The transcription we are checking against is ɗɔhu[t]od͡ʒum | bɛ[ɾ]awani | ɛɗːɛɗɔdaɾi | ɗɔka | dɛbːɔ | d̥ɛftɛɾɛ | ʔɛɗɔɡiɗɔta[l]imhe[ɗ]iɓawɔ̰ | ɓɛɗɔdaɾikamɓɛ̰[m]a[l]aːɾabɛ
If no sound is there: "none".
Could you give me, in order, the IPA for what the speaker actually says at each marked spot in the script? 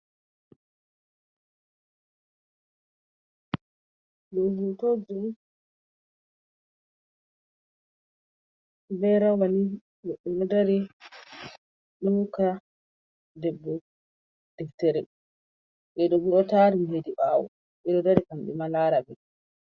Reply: t, ɾ, ɾ, d, m, l

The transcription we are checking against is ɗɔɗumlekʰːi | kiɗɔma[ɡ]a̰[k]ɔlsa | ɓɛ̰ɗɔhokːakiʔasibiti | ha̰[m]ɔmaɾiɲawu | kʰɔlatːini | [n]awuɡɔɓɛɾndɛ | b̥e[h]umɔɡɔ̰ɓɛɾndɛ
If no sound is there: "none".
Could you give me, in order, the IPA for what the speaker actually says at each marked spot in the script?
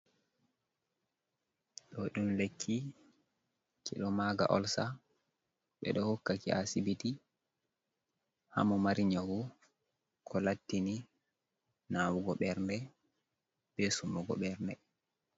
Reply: ɡ, ʔ, m, n, s

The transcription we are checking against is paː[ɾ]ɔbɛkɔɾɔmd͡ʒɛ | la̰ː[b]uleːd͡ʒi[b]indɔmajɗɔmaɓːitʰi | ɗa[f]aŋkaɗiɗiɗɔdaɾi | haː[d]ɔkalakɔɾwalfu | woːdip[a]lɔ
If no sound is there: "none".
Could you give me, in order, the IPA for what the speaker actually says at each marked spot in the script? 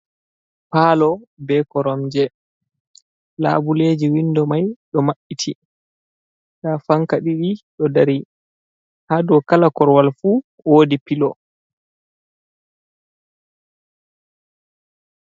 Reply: l, b, w, f, d, i

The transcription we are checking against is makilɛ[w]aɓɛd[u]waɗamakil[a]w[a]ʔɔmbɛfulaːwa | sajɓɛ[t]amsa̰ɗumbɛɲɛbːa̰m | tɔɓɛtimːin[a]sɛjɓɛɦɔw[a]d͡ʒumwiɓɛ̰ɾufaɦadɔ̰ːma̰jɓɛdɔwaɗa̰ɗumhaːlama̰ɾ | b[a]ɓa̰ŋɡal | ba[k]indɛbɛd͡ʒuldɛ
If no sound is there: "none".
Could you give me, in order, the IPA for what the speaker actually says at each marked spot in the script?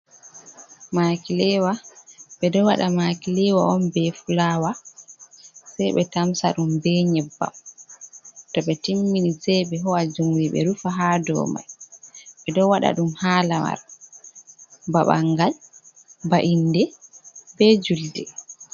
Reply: w, ɔ, ɛ, a, t, i, a, a, ʔ

